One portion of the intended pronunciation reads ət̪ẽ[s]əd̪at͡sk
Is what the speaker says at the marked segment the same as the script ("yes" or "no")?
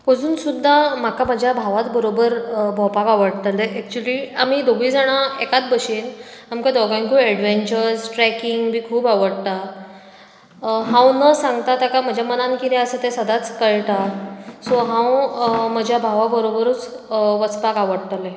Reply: yes